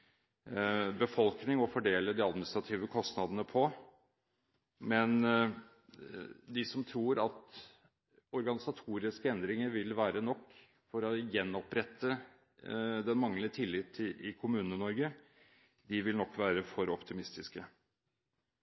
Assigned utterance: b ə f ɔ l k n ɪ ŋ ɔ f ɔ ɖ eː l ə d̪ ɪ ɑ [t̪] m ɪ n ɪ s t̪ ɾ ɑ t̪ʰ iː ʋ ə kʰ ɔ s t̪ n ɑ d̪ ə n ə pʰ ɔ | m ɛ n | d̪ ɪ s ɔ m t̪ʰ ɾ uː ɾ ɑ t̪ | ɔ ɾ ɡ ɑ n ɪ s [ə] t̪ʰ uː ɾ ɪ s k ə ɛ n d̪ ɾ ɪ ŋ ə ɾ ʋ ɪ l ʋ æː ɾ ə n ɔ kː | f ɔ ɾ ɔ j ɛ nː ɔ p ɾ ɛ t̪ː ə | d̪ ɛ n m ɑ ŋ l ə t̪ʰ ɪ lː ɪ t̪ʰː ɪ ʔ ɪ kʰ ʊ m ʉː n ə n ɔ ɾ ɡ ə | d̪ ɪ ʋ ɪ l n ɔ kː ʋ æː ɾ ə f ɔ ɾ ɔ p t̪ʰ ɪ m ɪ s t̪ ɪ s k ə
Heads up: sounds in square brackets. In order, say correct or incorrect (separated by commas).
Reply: incorrect, incorrect